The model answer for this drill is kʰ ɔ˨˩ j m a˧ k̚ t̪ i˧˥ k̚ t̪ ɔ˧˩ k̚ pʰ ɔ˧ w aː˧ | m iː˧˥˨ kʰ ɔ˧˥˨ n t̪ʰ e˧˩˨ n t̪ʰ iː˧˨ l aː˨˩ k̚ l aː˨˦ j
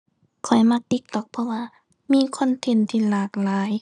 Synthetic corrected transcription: kʰ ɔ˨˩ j m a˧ k̚ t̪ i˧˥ k̚ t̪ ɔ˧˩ k̚ pʰ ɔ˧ w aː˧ | m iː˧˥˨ kʰ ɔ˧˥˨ n t̪ʰ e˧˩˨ n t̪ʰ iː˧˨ l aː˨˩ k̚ l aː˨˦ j